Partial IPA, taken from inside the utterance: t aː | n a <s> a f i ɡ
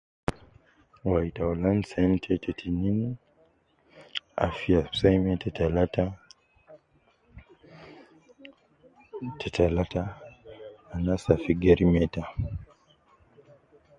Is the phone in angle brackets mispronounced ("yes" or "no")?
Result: no